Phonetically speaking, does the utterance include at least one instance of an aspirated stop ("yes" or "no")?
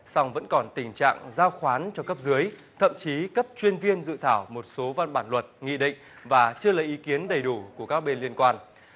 yes